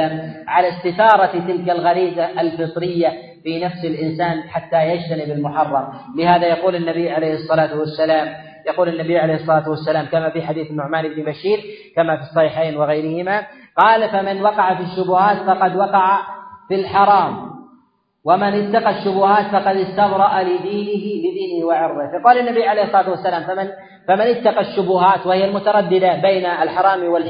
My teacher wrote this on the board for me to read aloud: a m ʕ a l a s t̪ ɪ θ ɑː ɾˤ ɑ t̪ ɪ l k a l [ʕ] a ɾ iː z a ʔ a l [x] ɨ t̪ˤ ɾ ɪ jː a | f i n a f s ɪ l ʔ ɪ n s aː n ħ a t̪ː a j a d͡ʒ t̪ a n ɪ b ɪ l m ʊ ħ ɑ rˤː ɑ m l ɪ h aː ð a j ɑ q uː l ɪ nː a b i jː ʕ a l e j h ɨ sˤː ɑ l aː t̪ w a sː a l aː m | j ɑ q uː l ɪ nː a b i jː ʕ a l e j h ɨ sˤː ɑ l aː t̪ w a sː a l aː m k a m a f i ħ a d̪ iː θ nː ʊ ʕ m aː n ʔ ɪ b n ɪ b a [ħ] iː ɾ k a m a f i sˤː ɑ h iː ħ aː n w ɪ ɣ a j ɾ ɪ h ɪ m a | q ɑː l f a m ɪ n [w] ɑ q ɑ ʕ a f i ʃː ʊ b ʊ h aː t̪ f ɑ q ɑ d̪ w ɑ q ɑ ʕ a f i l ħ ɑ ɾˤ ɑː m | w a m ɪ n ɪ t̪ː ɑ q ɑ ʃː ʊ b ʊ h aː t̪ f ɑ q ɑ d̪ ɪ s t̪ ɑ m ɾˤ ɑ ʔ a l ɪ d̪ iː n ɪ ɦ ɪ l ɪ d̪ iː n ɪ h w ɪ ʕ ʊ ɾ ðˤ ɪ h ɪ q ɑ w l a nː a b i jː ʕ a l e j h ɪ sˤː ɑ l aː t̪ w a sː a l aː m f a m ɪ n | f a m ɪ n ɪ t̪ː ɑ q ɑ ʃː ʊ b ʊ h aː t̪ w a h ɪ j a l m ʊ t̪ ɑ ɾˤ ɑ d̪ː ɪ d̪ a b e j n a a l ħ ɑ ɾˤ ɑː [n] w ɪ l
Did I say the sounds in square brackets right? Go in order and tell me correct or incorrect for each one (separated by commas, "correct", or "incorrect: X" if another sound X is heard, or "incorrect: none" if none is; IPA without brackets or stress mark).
incorrect: ɣ, incorrect: f, incorrect: ʃ, correct, incorrect: m